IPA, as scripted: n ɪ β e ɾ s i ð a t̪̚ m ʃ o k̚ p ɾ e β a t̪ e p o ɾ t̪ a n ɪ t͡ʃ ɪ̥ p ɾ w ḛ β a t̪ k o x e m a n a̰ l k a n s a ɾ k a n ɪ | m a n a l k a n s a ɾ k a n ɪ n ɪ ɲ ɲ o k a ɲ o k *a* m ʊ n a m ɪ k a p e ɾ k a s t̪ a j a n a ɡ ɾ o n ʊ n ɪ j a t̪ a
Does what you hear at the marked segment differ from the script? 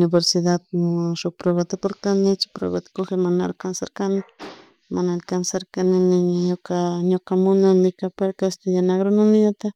no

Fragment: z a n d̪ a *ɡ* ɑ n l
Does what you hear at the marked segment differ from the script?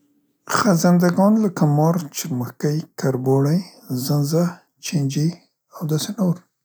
no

